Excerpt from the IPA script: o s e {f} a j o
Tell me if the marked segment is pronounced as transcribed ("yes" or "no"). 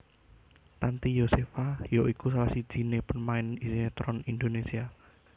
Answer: yes